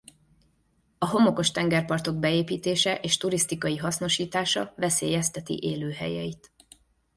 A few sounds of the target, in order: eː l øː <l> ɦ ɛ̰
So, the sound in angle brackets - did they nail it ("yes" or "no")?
no